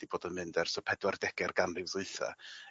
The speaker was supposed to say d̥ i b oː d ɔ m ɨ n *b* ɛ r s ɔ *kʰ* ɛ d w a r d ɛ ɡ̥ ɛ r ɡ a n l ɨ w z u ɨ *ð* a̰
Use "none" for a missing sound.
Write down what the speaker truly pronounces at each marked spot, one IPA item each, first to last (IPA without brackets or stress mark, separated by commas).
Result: d, pʰ, θ